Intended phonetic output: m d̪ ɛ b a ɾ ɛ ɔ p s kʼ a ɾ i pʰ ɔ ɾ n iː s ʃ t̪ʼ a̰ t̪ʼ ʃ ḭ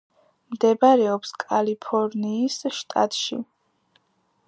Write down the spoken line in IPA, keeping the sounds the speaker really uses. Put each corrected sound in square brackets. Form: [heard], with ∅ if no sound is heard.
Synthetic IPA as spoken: m d̪ ɛ b a ɾ ɛ ɔ p s kʼ a [l] i pʰ ɔ ɾ n iː s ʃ t̪ʼ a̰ t̪ʼ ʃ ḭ